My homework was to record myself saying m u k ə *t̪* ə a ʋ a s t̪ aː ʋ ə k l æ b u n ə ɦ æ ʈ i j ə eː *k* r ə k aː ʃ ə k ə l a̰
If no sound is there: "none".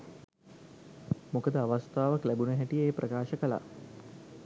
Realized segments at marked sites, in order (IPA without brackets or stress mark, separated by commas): d̪, p